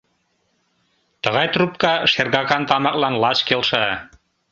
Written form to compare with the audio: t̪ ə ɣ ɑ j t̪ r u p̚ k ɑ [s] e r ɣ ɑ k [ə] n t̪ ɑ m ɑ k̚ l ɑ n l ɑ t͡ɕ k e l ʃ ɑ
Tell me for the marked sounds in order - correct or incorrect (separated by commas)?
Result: incorrect, incorrect